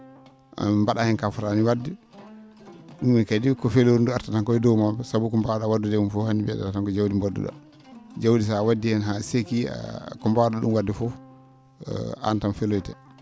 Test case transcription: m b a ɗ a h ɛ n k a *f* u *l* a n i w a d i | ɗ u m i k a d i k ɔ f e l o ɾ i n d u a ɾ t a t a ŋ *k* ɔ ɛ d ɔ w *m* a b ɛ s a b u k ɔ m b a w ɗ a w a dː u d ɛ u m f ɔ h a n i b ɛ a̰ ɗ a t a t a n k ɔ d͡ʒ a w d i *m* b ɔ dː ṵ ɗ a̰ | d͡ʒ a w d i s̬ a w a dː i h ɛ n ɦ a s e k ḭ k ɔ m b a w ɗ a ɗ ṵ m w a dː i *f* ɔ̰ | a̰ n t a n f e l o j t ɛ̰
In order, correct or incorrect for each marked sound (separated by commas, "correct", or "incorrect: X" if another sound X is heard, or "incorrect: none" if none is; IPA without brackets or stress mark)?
correct, incorrect: ɾ, correct, correct, correct, correct